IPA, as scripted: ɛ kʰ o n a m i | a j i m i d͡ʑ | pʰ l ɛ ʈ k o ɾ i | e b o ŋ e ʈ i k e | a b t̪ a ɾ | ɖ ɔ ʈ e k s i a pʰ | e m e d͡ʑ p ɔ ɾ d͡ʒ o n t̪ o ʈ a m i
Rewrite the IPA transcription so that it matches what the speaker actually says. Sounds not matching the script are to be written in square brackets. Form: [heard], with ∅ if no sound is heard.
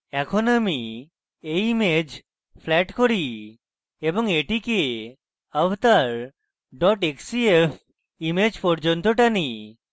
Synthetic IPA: ɛ kʰ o n a m i | [e] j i m [e] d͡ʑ | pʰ l ɛ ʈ k o ɾ i | e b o ŋ e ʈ i k e | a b t̪ a ɾ | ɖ ɔ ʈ e k s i [e] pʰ | [i] m e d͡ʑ p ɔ ɾ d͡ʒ o n t̪ o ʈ a [n] i